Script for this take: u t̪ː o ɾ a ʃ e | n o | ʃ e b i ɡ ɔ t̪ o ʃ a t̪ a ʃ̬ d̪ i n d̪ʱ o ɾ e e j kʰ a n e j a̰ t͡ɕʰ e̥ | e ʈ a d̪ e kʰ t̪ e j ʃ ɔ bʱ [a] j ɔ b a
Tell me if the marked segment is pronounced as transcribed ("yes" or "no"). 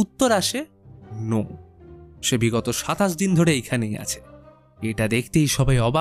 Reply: yes